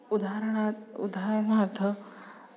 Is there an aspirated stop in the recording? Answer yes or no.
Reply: yes